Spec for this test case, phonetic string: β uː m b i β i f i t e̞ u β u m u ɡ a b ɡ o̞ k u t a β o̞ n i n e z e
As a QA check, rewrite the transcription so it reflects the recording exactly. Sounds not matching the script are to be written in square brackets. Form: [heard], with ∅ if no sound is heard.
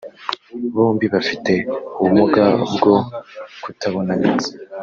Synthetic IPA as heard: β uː m b i β [a] f i t e̞ u β u m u ɡ a b ɡ o̞ k u t a β o̞ n [a] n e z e